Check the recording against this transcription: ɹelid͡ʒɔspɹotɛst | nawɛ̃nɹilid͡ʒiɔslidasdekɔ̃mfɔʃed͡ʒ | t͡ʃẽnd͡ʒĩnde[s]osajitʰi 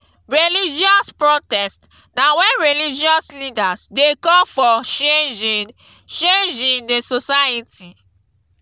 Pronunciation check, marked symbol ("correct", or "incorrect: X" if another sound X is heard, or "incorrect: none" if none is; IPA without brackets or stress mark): correct